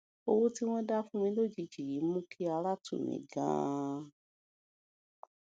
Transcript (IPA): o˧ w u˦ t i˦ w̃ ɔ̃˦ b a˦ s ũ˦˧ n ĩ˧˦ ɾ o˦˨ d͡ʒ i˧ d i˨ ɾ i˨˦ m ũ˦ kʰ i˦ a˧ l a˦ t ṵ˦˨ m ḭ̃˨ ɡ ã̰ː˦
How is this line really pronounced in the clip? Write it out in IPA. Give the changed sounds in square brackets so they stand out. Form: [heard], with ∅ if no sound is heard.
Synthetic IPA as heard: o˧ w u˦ t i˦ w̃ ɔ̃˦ [d] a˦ [f] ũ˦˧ [m] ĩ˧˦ [l] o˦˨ d͡ʒ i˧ [d͡ʒ] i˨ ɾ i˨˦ m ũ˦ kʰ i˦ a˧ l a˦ t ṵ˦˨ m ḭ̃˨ ɡ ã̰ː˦